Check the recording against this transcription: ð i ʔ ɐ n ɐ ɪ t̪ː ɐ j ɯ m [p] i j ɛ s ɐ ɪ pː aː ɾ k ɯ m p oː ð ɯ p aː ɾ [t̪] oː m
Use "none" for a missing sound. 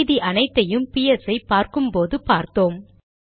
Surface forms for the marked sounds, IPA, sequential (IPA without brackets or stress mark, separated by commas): p, t̪